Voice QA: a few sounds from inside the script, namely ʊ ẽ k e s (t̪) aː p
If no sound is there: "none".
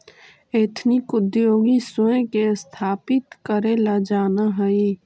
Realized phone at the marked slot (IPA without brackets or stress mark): t̪ʰ